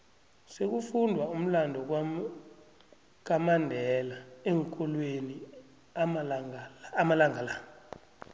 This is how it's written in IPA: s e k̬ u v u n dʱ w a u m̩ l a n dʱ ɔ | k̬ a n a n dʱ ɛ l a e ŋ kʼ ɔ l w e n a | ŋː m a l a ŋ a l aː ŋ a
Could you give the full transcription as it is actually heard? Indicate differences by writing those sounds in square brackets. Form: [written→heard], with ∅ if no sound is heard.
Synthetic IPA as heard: s e k̬ u [v→f] u n dʱ w a u m̩ l a n dʱ ɔ | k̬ a [n→m] a n dʱ ɛ l a e ŋ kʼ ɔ l w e n [a→i] | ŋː m a l a ŋ a l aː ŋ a